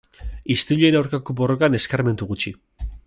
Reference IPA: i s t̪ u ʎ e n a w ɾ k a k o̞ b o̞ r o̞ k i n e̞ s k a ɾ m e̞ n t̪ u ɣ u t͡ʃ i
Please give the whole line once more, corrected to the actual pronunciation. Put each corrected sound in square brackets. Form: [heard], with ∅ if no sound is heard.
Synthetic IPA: i s t̪ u ʎ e n a w ɾ k a k o̞ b o̞ r o̞ k [a] n e̞ s k a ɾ m e̞ n t̪ u ɣ u t͡ʃ i